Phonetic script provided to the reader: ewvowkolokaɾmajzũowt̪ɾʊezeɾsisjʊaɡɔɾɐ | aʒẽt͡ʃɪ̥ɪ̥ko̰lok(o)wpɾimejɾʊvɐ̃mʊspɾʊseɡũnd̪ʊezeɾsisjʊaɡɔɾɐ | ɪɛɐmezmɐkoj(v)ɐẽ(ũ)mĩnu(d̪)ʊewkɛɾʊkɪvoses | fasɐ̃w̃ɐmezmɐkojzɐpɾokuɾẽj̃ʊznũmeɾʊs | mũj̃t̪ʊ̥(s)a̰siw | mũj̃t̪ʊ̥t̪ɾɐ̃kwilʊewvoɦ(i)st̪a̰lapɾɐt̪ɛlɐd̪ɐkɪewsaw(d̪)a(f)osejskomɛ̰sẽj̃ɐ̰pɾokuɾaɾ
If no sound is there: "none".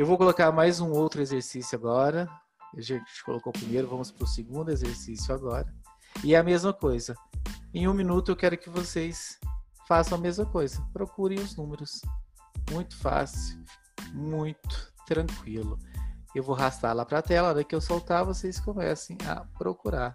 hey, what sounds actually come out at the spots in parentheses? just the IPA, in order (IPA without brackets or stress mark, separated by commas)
o, z, ũ, t̪, f, a, t̪, v